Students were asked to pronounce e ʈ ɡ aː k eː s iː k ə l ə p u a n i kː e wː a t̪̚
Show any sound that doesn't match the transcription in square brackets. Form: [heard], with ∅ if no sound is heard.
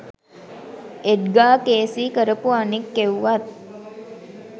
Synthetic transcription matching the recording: e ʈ ɡ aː k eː s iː k ə [ɾ] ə p u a n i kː e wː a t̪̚